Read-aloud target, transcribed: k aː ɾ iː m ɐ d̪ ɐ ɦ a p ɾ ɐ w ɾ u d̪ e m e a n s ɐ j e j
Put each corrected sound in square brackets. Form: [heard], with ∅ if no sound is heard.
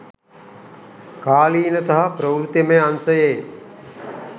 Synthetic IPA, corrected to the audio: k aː [l] iː [n] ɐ [t̪] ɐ ɦ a p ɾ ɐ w ɾ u [t̪] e m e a n s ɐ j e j